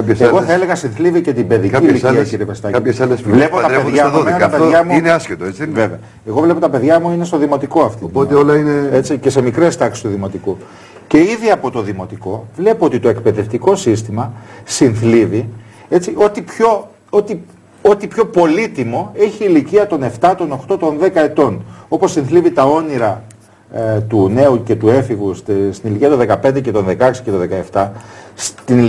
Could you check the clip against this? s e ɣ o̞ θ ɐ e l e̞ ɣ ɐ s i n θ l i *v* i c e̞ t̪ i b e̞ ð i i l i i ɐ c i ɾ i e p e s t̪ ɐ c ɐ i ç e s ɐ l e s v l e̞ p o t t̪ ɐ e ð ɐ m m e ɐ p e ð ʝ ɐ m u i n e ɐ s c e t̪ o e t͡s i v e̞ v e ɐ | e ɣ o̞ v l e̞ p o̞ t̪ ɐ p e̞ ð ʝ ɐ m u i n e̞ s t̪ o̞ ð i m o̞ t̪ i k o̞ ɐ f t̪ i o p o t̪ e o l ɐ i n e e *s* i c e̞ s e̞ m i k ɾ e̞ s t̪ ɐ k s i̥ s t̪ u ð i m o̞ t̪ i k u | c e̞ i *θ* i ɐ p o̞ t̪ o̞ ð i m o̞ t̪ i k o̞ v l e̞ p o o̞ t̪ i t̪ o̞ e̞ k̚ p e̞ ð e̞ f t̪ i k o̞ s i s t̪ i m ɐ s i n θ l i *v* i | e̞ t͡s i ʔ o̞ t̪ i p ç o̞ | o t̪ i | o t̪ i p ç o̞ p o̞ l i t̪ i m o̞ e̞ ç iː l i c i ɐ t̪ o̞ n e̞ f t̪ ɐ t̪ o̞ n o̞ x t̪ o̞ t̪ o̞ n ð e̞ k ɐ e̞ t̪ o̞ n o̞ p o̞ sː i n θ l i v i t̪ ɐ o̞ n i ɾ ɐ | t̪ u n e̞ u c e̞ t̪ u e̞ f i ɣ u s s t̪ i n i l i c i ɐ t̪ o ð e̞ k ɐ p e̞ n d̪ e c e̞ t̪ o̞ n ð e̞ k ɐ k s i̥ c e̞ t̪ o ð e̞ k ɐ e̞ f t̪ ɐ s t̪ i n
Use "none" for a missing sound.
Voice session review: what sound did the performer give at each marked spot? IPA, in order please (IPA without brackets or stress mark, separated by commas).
v, t͡s, ð, v